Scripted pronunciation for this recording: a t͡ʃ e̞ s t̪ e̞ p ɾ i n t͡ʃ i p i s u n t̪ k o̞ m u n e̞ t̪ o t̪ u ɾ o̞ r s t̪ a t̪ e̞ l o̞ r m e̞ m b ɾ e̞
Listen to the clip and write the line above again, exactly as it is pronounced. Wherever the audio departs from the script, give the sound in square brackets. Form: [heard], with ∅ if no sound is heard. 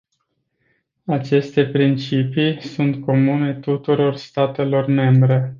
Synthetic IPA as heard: a t͡ʃ e̞ s t̪ e̞ p ɾ i n t͡ʃ i p i s u n t̪ k o̞ m u n e̞ t̪ [u] t̪ u ɾ o̞ r s t̪ a t̪ e̞ l o̞ r m e̞ m b ɾ e̞